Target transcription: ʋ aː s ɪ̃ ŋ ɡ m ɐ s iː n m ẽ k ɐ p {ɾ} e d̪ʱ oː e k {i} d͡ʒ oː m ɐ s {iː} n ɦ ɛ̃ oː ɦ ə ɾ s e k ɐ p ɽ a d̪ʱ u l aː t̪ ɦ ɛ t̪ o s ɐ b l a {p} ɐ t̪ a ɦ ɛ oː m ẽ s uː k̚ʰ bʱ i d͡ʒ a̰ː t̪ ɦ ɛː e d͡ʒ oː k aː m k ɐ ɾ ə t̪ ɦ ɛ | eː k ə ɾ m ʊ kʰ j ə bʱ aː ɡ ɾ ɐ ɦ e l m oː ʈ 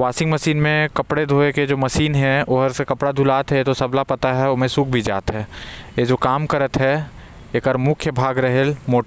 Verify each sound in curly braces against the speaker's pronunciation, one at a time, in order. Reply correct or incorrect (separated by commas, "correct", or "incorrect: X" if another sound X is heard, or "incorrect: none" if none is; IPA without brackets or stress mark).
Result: incorrect: ɽ, incorrect: e, correct, correct